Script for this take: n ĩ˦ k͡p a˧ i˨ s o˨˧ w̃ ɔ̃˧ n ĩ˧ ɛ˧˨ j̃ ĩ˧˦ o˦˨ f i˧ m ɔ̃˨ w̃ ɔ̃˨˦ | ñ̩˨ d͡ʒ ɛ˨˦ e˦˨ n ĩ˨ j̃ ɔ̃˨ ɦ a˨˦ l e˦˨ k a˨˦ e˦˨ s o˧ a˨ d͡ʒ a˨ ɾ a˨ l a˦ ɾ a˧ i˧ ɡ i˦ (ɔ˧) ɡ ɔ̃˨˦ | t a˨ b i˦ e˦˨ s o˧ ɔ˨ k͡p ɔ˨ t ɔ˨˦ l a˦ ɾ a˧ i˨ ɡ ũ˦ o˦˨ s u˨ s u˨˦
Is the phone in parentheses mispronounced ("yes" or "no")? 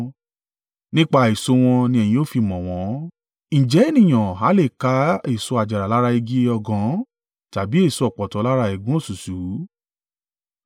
no